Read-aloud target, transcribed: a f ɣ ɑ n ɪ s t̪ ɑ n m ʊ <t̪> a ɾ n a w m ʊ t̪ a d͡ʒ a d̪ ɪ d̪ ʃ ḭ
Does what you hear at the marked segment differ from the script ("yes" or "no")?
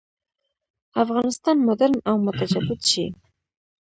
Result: yes